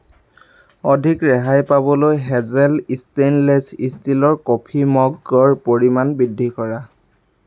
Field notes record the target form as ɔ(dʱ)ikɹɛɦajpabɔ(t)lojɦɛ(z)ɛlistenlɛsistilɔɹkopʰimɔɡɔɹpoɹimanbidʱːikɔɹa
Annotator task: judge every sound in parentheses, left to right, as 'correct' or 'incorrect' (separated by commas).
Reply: correct, incorrect, correct